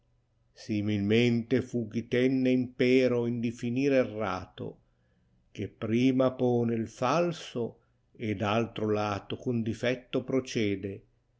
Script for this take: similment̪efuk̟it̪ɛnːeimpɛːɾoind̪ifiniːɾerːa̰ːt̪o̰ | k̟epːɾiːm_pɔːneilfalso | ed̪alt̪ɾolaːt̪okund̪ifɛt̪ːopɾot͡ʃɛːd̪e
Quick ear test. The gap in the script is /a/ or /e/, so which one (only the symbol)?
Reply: a